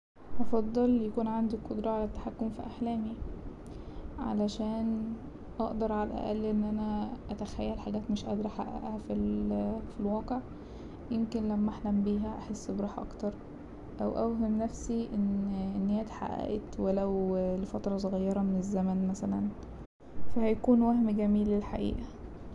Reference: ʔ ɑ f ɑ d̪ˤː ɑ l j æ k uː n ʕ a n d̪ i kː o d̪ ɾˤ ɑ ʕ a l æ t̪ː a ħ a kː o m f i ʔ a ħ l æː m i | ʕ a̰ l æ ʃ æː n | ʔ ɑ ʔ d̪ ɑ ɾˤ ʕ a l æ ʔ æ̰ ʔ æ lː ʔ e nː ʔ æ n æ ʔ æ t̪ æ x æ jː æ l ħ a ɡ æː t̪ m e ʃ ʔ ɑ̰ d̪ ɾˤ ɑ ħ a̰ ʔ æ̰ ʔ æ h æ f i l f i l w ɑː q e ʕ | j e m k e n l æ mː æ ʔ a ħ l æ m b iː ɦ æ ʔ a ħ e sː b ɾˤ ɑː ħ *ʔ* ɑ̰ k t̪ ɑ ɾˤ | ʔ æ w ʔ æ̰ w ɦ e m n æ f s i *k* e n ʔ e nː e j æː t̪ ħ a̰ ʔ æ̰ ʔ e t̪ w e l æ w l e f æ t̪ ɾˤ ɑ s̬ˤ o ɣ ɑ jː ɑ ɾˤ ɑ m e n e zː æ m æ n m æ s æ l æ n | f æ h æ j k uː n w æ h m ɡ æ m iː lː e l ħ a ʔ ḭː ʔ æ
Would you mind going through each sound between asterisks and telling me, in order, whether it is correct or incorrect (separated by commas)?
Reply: correct, incorrect